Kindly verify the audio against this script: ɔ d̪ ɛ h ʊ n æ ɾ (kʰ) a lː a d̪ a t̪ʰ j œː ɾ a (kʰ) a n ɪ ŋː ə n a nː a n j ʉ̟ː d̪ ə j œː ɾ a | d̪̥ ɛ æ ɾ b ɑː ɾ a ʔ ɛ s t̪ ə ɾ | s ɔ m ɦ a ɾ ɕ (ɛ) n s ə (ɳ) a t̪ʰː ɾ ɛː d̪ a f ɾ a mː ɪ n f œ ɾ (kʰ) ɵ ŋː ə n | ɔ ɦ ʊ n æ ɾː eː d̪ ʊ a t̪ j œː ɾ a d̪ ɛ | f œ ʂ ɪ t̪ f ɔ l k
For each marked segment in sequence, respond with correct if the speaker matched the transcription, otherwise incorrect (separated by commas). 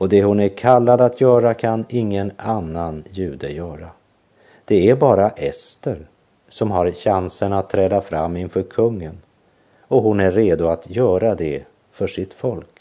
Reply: correct, correct, incorrect, incorrect, correct